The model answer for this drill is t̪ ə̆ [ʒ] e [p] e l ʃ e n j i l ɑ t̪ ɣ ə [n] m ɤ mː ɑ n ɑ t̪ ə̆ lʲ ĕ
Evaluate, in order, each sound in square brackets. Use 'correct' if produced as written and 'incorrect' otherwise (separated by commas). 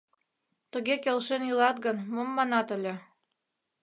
incorrect, incorrect, correct